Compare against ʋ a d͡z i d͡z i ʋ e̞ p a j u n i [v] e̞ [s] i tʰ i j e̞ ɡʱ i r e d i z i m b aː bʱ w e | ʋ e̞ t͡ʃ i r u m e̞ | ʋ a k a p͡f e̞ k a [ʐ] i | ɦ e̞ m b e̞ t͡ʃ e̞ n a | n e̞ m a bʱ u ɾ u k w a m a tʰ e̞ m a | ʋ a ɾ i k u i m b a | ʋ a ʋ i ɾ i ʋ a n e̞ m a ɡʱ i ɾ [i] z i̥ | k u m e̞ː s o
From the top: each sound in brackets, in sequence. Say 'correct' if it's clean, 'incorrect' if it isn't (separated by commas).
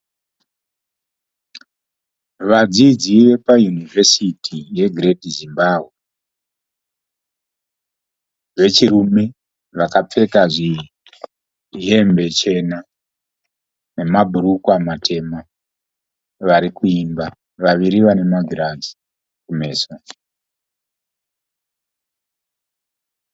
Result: correct, correct, correct, incorrect